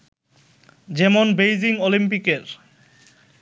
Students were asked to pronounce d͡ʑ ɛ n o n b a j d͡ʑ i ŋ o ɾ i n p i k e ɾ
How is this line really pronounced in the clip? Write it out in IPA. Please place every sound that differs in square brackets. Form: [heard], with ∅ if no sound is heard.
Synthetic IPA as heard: d͡ʑ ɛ [m] o n b [e] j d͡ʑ i ŋ o [l] i [m] p i k e ɾ